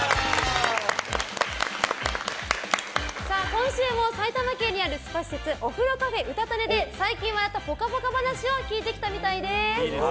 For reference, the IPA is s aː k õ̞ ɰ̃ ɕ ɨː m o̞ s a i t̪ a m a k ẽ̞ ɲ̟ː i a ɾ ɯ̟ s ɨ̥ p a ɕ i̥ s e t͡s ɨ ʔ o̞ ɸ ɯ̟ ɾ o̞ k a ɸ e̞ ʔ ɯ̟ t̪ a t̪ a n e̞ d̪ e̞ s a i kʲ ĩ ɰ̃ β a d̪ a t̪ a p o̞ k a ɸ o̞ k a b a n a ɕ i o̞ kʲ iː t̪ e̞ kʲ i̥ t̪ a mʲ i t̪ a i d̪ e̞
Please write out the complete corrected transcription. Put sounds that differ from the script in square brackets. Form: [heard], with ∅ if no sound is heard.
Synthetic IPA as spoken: s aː k õ̞ ɰ̃ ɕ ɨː m o̞ s a i t̪ a m a k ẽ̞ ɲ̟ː i a ɾ ɯ̟ s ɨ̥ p a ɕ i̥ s e t͡s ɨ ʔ o̞ ɸ ɯ̟ ɾ o̞ k a ɸ e̞ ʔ ɯ̟ t̪ a t̪ a n e̞ d̪ e̞ s a i kʲ ĩ ɰ̃ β a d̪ a t̪ a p o̞ k a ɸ o̞ k a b a n a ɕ i o̞ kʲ iː t̪ e̞ kʲ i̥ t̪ a mʲ i t̪ a i d̪ e̞